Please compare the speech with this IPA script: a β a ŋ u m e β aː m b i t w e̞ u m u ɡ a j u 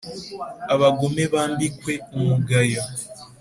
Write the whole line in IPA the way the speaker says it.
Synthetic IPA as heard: a β a ɡ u m e β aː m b i k w e̞ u m u ɡ a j o